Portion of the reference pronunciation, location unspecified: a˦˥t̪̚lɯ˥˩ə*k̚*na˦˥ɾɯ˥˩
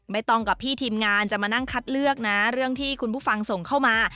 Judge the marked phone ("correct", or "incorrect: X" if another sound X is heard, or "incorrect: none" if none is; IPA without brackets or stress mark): correct